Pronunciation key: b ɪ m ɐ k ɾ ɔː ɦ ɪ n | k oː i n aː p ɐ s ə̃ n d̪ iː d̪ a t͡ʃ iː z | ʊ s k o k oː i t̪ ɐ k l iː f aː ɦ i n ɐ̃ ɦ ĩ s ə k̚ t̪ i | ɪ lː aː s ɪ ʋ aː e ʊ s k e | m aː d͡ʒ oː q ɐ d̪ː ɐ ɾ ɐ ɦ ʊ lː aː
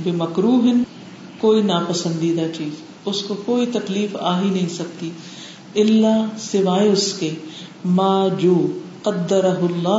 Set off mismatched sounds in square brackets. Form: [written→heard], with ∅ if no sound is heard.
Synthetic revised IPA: b ɪ m ɐ k ɾ [ɔː→uː] ɦ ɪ n | k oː i n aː p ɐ s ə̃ n d̪ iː d̪ a t͡ʃ iː z | ʊ s k o k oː i t̪ ɐ k l iː f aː ɦ i n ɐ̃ ɦ ĩ s [ə→ɐ] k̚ t̪ i | ɪ lː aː s ɪ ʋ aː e ʊ s k e | m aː d͡ʒ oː q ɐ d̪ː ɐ ɾ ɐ ɦ ʊ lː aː